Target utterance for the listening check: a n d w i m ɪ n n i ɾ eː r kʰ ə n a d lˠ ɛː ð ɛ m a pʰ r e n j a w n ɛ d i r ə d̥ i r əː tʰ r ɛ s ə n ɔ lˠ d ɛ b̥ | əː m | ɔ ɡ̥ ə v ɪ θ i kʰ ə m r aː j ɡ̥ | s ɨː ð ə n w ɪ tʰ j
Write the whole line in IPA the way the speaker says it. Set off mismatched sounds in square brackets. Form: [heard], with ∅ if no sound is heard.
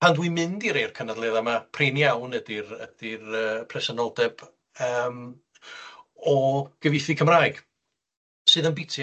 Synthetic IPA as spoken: a n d w i m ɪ n [d] i ɾ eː r kʰ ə n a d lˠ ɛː ð [a] m a pʰ r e n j a w n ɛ d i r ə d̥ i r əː [pʰ] r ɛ s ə n ɔ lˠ d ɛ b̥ | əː m | ɔ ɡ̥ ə v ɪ θ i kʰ ə m r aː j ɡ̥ | s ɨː ð ə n [b] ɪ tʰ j